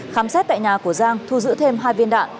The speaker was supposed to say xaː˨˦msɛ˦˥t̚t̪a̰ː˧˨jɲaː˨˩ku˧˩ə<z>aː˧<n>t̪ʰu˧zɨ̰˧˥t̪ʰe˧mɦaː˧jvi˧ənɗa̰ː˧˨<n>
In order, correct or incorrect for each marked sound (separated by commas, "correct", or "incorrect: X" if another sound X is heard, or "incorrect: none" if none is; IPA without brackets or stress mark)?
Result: correct, incorrect: ŋ, correct